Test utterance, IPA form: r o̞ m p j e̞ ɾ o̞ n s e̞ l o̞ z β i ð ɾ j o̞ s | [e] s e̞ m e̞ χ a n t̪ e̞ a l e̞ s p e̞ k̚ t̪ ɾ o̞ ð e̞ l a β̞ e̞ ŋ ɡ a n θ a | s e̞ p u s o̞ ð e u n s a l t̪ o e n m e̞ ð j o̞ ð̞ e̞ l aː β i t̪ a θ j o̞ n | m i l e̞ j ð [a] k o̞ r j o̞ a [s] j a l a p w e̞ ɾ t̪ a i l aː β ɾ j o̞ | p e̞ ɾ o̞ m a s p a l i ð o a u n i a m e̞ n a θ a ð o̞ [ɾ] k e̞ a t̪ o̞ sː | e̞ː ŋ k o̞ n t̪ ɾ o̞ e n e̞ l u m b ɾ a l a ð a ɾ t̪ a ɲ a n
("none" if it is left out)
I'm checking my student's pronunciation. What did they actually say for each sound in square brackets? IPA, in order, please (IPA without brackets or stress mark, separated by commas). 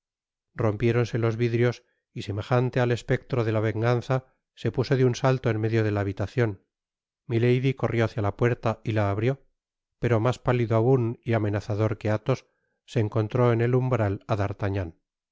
i, i, θ, ɾ